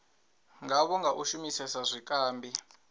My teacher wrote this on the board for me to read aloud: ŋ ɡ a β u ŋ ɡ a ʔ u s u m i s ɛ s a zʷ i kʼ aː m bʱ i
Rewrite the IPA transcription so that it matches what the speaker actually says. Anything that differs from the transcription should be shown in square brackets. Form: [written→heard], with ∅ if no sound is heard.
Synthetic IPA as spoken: ŋ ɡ a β [u→ɔ] ŋ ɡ a ʔ u [s→ʃ] u m i s ɛ s a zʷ i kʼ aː m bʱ i